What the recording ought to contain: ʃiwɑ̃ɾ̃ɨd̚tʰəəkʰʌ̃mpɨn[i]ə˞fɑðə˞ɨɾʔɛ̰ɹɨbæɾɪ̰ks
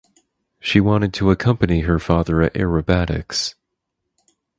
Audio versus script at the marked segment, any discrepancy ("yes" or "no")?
no